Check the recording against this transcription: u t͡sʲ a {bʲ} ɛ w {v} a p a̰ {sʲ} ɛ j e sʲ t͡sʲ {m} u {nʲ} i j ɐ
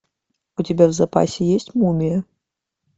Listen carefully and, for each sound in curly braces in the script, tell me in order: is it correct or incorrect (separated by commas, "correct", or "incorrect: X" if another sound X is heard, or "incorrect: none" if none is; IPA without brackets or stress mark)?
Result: correct, incorrect: z, correct, correct, incorrect: mʲ